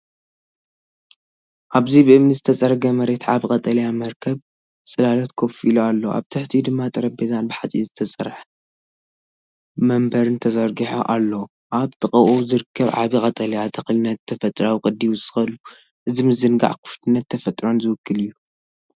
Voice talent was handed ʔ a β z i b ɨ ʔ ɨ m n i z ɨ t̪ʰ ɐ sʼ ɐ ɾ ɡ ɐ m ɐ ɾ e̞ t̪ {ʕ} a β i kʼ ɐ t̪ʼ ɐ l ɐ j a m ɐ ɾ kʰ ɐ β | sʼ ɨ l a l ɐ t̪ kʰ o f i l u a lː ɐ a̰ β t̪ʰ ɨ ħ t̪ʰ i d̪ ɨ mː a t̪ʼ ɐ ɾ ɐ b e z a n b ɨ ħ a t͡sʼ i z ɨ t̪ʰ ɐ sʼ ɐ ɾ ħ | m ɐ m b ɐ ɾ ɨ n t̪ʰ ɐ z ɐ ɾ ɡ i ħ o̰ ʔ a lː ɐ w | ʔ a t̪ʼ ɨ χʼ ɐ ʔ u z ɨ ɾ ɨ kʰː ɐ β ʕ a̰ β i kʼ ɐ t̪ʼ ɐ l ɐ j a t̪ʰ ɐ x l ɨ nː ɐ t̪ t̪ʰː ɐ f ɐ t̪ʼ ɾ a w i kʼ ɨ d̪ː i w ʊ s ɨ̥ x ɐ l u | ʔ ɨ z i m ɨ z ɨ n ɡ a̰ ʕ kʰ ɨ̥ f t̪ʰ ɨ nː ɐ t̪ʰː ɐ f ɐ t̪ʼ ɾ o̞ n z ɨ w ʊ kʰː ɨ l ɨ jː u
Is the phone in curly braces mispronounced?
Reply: no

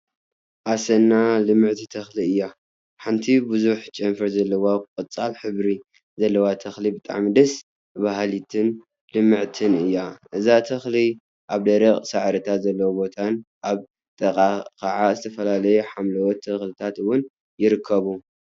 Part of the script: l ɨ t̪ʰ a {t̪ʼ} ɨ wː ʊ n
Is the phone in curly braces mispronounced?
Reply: yes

